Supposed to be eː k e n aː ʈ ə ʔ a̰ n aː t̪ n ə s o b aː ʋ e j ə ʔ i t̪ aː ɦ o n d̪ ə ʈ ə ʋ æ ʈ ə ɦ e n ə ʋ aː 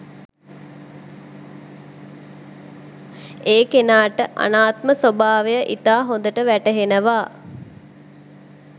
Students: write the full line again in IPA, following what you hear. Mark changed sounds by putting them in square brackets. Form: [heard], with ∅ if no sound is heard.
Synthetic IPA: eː k e n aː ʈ ə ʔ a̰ n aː t̪ [m] ə s o b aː ʋ e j ə ʔ i t̪ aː ɦ o n d̪ ə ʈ ə ʋ æ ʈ ə ɦ e n ə ʋ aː